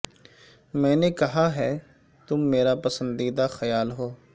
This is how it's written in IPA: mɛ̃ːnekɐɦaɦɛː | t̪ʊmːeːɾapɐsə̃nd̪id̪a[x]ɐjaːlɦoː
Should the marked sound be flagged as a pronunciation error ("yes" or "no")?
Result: no